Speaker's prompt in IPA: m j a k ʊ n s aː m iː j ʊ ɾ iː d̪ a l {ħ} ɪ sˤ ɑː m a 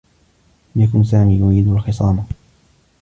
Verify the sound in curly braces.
incorrect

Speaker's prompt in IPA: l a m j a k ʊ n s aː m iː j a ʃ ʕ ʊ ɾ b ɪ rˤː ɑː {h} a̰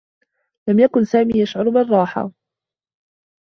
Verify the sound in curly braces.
incorrect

